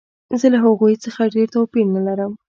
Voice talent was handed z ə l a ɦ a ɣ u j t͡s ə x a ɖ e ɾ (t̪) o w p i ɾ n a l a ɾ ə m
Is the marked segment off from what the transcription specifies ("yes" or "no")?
no